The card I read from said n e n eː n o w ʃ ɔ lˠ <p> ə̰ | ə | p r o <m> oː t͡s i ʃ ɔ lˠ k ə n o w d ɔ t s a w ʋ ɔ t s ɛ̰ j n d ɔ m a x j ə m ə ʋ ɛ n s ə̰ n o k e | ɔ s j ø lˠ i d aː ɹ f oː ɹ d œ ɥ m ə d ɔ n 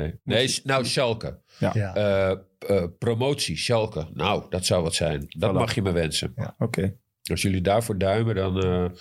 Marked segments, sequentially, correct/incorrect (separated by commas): incorrect, correct